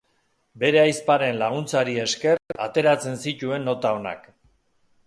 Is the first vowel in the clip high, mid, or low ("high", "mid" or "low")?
mid